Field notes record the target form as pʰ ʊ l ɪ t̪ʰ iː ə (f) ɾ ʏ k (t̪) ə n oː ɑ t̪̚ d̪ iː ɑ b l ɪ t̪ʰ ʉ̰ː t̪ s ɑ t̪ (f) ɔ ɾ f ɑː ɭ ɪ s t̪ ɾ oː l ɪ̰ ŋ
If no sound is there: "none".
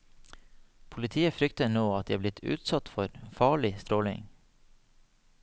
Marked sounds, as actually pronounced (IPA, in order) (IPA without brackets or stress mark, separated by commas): f, t̪, f